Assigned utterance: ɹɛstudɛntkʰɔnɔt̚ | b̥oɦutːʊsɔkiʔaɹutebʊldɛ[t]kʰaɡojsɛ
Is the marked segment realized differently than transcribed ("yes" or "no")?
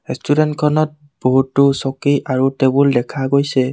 yes